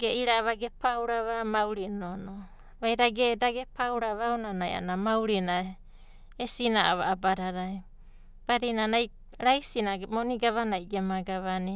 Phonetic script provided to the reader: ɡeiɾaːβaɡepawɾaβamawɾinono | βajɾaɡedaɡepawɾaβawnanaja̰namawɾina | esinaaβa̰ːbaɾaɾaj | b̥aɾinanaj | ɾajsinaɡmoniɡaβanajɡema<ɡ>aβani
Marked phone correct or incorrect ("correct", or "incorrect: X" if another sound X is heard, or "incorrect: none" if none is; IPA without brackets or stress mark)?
correct